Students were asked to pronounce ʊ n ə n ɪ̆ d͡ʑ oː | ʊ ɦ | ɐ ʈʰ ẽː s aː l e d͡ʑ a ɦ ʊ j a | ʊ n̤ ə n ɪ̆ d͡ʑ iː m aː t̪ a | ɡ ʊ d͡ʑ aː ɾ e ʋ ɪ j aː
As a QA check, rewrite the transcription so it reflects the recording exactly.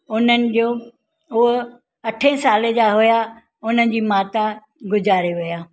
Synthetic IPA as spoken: ʊ n ə n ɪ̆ d͡ʑ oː | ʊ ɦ | ɐ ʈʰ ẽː s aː l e d͡ʑ a ɦ ʊ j a | ʊ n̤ ə n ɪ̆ d͡ʑ iː m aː t̪ a | ɡ ʊ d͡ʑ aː ɾ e ʋ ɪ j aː